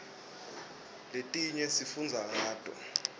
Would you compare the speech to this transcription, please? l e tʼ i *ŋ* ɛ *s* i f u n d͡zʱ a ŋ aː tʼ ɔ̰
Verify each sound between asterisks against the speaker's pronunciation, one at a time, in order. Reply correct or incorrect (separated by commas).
incorrect, correct